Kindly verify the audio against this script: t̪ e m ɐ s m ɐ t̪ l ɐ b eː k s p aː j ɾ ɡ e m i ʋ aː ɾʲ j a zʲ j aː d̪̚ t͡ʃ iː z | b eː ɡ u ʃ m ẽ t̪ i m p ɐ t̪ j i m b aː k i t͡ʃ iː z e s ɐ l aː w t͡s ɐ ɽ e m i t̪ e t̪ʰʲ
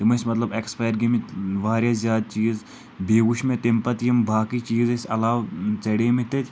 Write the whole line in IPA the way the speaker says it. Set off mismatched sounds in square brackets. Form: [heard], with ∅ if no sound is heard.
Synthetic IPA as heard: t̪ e m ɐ s m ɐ t̪ l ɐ b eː k s p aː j ɾ ɡ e m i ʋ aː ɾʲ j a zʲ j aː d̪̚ t͡ʃ iː z | b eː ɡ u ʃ m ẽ t̪ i m p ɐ t̪ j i m b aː k i t͡ʃ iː z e s ɐ l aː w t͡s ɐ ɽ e m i t̪ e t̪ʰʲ